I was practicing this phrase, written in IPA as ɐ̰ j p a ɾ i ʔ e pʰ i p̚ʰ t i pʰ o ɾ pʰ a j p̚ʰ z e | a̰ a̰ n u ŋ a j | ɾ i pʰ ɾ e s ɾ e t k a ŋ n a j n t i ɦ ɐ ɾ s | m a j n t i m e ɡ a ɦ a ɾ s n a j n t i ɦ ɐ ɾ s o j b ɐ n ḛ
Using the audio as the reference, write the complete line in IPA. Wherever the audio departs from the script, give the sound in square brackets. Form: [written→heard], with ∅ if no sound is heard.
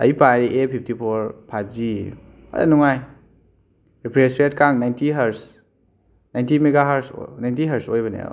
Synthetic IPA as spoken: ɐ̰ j p a ɾ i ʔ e pʰ i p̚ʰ t i pʰ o ɾ pʰ a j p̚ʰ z [e→i] | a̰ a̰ n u ŋ a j | ɾ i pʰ ɾ e s ɾ e t k a ŋ n a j n t i ɦ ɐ ɾ s | [m→n] a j n t i m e ɡ a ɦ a ɾ s n a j n t i ɦ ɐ ɾ s o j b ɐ n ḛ